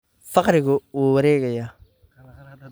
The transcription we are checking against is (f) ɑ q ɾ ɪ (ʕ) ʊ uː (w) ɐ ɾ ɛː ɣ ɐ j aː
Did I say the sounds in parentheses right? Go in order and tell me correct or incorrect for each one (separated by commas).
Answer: correct, incorrect, correct